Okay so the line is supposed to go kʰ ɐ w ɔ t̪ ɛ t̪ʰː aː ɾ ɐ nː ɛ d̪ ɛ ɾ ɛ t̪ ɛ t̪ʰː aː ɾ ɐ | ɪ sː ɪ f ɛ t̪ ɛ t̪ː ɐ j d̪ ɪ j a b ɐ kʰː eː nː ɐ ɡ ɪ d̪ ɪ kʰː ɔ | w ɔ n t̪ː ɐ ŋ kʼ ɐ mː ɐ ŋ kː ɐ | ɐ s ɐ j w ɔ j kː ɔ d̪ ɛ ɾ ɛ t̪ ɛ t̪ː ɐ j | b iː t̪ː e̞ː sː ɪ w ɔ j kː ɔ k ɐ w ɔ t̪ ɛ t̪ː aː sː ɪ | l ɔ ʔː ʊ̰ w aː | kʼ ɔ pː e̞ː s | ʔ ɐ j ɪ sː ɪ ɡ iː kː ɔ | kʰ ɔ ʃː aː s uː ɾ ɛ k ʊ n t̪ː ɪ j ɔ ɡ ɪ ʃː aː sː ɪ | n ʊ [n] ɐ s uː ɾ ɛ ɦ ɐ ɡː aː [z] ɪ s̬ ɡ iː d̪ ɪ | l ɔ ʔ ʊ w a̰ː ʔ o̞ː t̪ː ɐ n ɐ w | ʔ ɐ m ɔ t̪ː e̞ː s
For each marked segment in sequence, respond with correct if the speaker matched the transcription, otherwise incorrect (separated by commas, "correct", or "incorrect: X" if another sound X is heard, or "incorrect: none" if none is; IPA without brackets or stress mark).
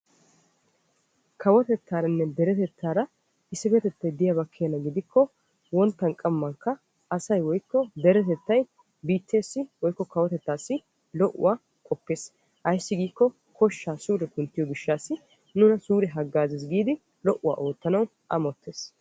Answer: correct, correct